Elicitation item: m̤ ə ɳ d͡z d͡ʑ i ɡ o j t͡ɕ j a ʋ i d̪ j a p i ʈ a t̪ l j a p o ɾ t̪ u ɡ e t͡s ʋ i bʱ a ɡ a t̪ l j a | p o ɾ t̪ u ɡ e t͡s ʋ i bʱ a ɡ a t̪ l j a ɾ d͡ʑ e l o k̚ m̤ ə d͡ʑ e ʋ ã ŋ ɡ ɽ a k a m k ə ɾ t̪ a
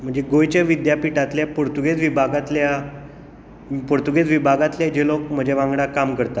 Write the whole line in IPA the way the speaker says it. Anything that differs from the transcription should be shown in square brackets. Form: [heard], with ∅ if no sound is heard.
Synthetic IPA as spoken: m̤ ə ɳ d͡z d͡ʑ [e] ɡ o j t͡ɕ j a ʋ i d̪ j a p i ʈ a t̪ l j a p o ɾ t̪ u ɡ e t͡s ʋ i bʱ a ɡ a t̪ l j a | p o ɾ t̪ u ɡ e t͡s ʋ i bʱ a ɡ a t̪ l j a [∅] d͡ʑ e l o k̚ m̤ ə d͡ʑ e ʋ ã ŋ ɡ ɽ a k a m k ə ɾ t̪ a